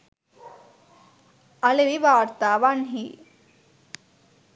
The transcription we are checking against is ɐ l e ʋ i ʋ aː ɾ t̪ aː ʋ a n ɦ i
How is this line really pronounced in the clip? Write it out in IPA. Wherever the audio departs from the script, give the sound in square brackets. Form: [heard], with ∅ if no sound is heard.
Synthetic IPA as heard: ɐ l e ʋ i ʋ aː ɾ t̪ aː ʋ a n ɦ i

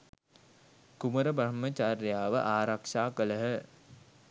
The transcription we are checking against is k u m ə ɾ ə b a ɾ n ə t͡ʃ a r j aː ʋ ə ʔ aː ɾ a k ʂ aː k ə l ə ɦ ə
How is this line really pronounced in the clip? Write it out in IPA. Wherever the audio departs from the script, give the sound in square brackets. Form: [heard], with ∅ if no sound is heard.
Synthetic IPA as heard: k u m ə ɾ ə b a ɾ [m] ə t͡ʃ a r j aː ʋ ə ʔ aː ɾ a k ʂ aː k ə l ə ɦ ə

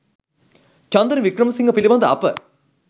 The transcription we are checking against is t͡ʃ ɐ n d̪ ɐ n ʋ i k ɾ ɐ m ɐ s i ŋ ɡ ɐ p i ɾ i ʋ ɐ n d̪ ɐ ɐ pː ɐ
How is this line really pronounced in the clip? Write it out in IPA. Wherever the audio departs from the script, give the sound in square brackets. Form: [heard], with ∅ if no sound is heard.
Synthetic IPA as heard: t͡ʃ ɐ n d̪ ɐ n ʋ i k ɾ ɐ m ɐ s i ŋ ɡ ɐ p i [l] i ʋ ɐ n d̪ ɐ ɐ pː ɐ

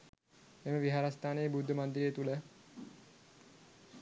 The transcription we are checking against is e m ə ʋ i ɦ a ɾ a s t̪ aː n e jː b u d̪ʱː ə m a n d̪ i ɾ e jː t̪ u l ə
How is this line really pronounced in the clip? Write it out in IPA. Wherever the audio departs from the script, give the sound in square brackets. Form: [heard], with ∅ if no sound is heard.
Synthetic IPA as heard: e m ə ʋ i ɦ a ɾ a s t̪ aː n e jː b u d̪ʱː ə m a n d̪ i ɾ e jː t̪ u l ə

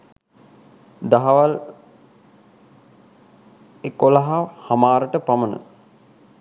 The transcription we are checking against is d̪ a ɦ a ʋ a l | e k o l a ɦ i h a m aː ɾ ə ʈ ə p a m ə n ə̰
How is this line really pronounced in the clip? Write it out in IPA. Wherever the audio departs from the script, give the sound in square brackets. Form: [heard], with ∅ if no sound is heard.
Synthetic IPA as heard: d̪ a ɦ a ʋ a l | e k o l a ɦ [a] h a m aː ɾ ə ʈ ə p a m ə n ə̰

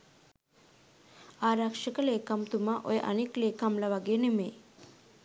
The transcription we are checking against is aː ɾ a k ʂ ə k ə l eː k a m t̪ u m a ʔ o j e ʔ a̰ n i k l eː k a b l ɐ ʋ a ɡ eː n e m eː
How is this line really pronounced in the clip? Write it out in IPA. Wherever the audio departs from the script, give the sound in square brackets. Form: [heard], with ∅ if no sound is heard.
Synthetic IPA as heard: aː ɾ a k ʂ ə k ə l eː k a m t̪ u m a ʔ o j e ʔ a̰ n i k l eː k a [m] l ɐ ʋ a ɡ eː n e m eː

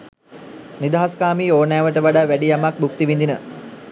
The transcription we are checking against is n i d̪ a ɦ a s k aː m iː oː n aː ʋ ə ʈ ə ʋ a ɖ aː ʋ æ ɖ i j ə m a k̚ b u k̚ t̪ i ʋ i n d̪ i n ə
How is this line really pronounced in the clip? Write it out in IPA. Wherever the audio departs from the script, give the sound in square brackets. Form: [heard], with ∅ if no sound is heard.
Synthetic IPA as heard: n i d̪ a ɦ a s k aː m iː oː n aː ʋ ə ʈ ə ʋ a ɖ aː ʋ æ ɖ i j [a] m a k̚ b u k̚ t̪ i ʋ i n d̪ i n ə

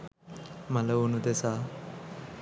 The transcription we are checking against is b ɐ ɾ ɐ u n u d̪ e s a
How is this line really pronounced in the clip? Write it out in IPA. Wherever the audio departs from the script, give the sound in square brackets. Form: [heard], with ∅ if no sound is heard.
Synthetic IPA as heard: [m] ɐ [l] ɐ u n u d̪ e s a

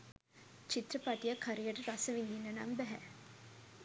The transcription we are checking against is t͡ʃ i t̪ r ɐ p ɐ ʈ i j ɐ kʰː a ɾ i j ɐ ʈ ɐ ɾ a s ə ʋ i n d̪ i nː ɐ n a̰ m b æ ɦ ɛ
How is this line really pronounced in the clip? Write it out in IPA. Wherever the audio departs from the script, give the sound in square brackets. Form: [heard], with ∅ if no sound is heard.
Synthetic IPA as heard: t͡ʃ i t̪ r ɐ p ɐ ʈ i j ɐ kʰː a ɾ i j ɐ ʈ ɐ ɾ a s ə ʋ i n d̪ i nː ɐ n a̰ m b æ ɦ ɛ

